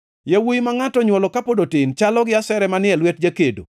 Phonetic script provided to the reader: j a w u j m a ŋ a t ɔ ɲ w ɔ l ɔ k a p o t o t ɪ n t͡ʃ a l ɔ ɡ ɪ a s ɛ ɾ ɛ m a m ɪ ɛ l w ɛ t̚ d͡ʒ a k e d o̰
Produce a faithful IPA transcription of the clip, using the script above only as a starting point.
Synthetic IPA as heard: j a w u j m a ŋ a t ɔ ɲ w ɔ l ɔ k a p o d o t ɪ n t͡ʃ a l ɔ ɡ ɪ a s ɛ ɾ ɛ m a n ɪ ɛ l w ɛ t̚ d͡ʒ a k e d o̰